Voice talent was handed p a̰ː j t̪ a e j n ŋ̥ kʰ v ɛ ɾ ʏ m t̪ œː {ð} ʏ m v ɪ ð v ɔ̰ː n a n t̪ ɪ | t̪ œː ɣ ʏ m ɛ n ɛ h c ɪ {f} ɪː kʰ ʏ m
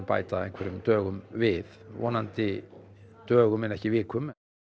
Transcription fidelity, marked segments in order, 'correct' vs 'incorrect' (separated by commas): incorrect, incorrect